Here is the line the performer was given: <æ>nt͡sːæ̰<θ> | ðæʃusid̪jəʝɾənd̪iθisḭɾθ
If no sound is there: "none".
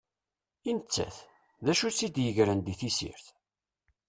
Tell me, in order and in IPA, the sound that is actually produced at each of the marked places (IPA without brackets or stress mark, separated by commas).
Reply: i, θ